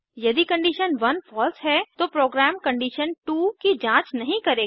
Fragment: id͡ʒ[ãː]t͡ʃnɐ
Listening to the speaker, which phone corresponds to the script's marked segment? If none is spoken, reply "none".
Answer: ãː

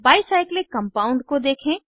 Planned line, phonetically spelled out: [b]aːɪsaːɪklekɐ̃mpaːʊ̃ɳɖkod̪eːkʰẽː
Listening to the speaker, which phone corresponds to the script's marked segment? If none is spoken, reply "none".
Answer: b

